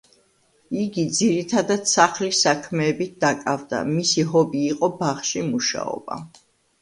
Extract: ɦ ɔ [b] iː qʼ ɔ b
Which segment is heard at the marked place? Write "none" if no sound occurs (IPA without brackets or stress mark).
b